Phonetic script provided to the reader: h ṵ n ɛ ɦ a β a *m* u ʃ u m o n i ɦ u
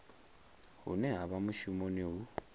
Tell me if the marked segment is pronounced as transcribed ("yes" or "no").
yes